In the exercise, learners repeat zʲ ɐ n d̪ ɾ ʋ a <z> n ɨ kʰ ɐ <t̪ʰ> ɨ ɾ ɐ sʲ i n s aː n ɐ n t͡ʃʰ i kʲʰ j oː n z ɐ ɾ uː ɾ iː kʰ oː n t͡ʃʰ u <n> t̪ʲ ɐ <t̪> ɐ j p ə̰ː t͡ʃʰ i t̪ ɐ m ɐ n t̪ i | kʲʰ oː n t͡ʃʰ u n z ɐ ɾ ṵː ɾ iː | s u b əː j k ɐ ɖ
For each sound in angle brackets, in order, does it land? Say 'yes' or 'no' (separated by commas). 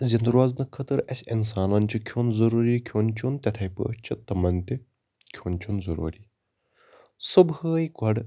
yes, no, yes, no